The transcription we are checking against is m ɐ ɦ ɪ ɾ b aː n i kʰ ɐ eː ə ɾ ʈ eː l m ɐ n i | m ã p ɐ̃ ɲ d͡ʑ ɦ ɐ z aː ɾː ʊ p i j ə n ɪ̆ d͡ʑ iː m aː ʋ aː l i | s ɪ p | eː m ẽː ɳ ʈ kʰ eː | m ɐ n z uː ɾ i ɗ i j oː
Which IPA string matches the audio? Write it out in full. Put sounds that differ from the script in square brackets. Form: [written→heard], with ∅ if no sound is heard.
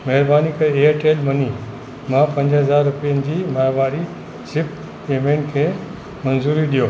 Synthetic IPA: m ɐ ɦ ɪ ɾ b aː n i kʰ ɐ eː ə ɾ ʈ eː l m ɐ n i | m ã p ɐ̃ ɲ d͡ʑ ɦ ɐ z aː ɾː ʊ p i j ə n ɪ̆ d͡ʑ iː m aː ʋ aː [l→ɾ] i | s ɪ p | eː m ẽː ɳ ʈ kʰ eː | m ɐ n z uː ɾ i ɗ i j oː